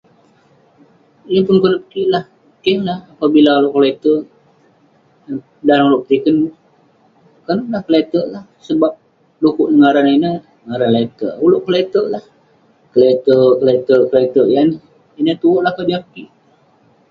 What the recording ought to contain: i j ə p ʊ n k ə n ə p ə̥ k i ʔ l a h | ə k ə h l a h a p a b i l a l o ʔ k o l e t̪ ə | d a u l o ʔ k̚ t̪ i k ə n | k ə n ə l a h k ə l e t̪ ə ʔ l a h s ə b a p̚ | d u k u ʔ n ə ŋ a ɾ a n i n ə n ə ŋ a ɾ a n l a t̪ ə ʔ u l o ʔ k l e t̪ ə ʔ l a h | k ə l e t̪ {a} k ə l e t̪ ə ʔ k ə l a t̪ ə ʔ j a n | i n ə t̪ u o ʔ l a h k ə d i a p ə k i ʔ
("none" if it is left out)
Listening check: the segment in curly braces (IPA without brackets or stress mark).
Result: ə